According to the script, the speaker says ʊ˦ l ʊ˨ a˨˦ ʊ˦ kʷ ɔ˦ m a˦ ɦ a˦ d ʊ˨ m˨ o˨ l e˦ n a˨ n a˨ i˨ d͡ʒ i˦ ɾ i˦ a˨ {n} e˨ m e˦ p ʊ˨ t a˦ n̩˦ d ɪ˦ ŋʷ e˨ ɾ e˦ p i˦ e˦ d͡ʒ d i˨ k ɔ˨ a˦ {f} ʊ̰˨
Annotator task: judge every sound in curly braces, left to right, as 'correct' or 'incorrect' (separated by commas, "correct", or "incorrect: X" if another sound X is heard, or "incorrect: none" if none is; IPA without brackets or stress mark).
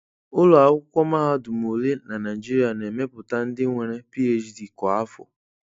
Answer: correct, correct